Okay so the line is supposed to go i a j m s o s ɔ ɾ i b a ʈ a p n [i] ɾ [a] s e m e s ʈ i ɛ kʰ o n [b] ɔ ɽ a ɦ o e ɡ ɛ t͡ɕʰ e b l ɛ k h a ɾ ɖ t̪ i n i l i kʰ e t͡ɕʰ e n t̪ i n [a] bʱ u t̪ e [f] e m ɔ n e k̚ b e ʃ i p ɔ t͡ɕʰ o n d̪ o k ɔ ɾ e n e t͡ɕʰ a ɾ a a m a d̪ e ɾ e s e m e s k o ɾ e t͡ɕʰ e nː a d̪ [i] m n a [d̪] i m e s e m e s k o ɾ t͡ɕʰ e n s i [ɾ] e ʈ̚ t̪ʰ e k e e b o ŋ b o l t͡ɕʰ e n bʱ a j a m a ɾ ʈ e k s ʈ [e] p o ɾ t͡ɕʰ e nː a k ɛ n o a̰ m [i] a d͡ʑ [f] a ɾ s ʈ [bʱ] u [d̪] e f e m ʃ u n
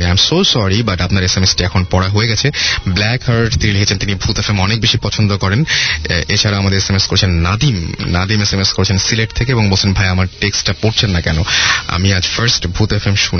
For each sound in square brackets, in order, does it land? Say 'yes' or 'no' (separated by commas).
no, no, no, no, yes, yes, yes, no, no, yes, yes, yes, no